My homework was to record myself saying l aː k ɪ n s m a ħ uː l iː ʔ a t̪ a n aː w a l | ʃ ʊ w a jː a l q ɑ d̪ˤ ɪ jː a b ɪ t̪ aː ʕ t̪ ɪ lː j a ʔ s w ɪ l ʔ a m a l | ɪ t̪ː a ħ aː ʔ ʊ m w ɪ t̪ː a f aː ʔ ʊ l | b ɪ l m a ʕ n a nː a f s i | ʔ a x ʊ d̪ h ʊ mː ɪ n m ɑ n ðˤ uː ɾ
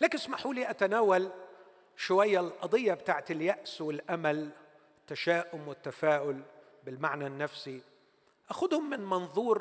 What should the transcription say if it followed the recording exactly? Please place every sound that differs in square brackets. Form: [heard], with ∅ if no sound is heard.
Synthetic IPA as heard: l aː k ɪ n s m a ħ uː l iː ʔ a t̪ a n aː w a l | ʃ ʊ w a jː a l [ʔ] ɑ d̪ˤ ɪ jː a b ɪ t̪ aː ʕ t̪ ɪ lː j a ʔ s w ɪ l ʔ a m a l | ɪ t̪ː a [ʃ] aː ʔ ʊ m w ɪ t̪ː a f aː ʔ ʊ l | b ɪ l m a ʕ n a nː a f s i | ʔ a x ʊ d̪ h ʊ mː ɪ n m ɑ n ðˤ uː ɾ